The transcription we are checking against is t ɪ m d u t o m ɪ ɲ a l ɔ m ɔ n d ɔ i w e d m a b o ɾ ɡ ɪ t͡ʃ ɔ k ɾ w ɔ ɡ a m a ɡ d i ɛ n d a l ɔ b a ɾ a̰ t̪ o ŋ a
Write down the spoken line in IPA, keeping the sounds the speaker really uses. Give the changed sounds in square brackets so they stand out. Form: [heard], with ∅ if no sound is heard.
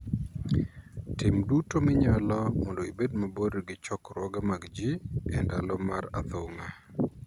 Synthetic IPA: t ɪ m d u t o m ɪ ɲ a l ɔ m ɔ n d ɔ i [b] e d m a b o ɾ ɡ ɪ t͡ʃ ɔ k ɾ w ɔ ɡ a m a ɡ [d͡ʒ] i ɛ n d a l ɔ [m] a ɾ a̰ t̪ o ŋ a

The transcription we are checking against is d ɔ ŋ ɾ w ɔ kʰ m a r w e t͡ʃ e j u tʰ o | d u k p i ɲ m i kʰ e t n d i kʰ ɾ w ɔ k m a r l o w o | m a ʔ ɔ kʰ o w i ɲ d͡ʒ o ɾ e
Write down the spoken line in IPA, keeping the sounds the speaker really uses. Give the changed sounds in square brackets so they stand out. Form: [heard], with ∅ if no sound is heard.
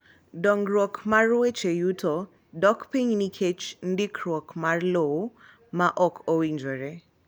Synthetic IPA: d ɔ ŋ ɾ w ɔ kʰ m a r w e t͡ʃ e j u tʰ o | d [ɔ] k p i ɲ [n] i kʰ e [t͡ʃ] n d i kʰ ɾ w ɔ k m a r l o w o | m a ʔ ɔ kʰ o w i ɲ d͡ʒ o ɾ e

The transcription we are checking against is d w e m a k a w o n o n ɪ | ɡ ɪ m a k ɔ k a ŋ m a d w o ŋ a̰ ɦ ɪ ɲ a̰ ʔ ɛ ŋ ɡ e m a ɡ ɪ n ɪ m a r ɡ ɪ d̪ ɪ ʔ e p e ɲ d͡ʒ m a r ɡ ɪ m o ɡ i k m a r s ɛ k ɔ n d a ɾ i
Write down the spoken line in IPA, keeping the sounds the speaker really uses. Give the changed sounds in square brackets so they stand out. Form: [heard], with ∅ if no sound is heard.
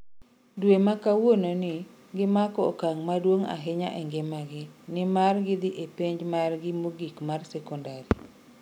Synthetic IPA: d w e m a k a w o n o n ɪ | ɡ ɪ m a k ɔ k a ŋ m a d w o ŋ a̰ ɦ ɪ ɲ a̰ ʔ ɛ ŋ ɡ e m a ɡ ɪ n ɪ m a r ɡ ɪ d̪ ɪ ʔ e p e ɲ d͡ʒ m a r ɡ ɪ m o ɡ i k m a r s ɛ k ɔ n d a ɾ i

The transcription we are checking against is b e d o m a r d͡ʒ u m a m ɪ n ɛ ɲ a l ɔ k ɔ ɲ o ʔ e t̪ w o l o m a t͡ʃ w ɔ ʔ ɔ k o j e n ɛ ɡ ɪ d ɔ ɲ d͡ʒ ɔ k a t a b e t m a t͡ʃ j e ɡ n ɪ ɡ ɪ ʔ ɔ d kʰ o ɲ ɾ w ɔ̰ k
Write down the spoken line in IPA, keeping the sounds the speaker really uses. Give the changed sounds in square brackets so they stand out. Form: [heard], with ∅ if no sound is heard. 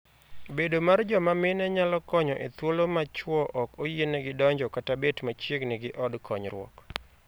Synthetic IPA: b e d o m a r d͡ʒ [ɔ] m a m ɪ n ɛ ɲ a l ɔ k ɔ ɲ [ɔ] ʔ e t̪ w o l o m a t͡ʃ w ɔ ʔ ɔ k o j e n ɛ ɡ ɪ d ɔ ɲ d͡ʒ ɔ k a t a b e t m a t͡ʃ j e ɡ n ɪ ɡ ɪ ʔ ɔ d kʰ [ɔ] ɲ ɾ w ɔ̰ k

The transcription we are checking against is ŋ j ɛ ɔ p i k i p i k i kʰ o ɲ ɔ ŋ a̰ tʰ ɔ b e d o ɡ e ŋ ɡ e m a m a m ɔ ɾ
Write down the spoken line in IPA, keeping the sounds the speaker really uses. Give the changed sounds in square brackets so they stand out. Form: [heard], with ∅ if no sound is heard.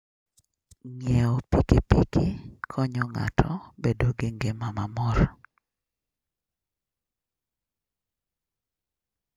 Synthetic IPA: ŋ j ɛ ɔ p i k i p i k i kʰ [ɔ] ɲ ɔ ŋ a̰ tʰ ɔ b e d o ɡ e ŋ ɡ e m a m a m ɔ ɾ

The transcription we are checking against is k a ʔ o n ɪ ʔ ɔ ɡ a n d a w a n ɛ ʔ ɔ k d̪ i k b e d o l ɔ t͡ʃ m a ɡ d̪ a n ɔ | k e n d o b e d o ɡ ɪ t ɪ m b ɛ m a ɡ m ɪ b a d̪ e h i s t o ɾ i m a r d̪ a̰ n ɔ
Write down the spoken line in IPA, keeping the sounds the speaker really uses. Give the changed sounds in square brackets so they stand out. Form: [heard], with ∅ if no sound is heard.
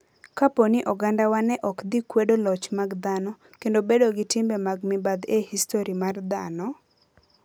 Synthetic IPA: k a [p] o n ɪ ʔ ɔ ɡ a n d a w a n ɛ ʔ ɔ k d̪ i k [w] e d o l ɔ t͡ʃ m a ɡ d̪ a n ɔ | k e n d o b e d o ɡ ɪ t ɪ m b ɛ m a ɡ m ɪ b a d̪ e h i s t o ɾ i m a r d̪ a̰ n ɔ

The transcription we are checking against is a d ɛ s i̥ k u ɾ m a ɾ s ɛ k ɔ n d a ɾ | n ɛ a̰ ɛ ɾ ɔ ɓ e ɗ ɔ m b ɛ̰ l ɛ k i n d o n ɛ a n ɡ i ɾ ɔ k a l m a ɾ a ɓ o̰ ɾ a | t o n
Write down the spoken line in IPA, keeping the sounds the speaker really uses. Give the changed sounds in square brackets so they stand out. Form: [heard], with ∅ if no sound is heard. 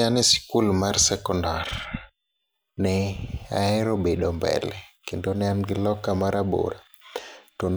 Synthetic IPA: a [n] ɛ s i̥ k u [l] m a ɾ s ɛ k ɔ n d a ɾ | n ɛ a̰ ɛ ɾ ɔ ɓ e ɗ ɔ m b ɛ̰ l ɛ k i n d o n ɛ a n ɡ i [l] ɔ k a [∅] m a ɾ a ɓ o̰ ɾ a | t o n

